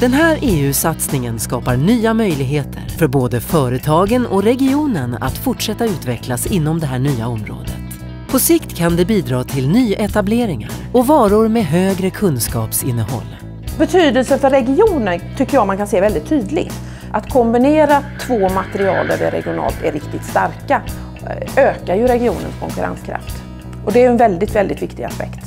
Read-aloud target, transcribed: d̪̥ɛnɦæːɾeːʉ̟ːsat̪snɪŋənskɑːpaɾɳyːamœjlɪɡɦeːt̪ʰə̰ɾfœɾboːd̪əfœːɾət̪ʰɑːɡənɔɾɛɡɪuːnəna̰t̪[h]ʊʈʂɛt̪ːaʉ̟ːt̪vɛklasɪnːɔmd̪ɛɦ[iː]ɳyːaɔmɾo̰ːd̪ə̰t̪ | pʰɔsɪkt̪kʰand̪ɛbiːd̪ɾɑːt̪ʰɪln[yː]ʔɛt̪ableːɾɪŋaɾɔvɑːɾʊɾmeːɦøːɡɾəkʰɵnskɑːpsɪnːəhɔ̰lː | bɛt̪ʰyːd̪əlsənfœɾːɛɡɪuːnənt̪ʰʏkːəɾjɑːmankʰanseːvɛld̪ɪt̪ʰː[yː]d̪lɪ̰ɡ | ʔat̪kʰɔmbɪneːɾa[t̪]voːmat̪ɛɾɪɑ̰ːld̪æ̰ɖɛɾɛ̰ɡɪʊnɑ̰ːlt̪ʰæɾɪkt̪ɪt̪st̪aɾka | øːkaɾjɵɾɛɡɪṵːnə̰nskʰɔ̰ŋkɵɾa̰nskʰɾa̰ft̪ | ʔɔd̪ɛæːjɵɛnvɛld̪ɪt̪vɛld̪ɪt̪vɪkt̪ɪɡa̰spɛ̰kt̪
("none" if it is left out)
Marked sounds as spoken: f, æː, yː, yː, t̪ʰ

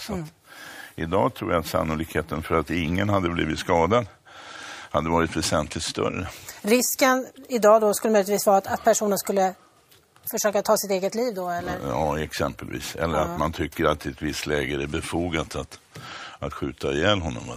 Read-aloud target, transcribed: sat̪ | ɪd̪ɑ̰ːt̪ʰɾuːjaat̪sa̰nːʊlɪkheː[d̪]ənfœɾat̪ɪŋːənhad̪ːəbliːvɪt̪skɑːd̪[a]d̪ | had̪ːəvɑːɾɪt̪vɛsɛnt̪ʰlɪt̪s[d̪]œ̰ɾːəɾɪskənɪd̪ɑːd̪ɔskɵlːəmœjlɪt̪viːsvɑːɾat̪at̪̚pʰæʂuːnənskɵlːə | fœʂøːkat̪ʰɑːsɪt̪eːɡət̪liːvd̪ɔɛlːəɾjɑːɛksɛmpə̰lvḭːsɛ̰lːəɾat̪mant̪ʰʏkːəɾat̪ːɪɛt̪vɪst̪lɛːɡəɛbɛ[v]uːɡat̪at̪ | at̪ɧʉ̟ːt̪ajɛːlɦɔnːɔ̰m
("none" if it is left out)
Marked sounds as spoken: t̪, a, t̪, f

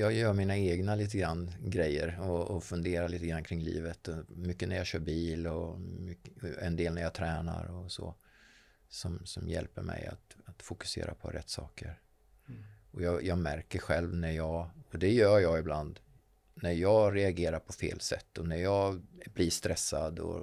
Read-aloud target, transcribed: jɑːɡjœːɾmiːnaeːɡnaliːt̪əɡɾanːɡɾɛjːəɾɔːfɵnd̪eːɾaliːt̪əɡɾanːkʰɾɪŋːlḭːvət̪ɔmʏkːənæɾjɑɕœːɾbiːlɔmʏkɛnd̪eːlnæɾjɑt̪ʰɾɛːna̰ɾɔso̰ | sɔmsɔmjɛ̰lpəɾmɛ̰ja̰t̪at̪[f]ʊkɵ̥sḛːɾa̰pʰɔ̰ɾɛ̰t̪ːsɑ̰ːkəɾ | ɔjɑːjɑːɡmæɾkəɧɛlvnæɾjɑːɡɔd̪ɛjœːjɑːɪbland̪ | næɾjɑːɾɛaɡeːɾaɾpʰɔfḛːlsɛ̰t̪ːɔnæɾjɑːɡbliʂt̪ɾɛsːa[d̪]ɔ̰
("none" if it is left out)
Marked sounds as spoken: f, d̪

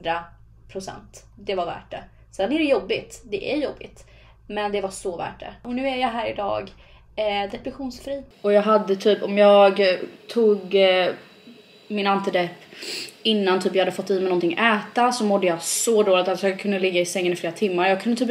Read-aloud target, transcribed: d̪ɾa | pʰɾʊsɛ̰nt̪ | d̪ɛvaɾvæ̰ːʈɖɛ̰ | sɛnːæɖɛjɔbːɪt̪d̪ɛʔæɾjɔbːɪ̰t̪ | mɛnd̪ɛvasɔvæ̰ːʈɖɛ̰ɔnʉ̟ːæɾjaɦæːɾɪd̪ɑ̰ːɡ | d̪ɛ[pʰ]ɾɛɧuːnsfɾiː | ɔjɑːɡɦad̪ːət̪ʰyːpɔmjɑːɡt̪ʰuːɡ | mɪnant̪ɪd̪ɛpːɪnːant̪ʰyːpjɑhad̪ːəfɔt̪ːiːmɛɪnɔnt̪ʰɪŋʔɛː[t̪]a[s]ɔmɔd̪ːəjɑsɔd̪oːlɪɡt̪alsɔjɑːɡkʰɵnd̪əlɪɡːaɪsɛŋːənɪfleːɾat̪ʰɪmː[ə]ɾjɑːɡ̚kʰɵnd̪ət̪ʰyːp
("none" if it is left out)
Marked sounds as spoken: p, t̪, s, a

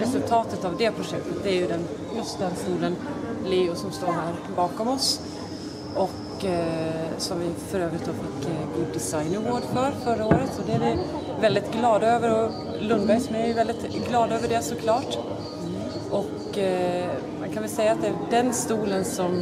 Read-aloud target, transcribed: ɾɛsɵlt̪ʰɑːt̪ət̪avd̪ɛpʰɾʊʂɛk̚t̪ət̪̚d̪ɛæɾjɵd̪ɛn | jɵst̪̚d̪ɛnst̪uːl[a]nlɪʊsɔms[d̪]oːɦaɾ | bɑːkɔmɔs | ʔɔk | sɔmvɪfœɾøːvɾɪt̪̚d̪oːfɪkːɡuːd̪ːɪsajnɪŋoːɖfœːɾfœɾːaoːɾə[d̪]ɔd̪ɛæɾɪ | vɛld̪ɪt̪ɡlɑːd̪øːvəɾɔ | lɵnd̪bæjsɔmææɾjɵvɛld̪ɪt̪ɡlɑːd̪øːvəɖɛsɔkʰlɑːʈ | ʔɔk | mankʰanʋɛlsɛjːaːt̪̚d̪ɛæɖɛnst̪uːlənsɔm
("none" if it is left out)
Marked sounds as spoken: ə, t̪, t̪

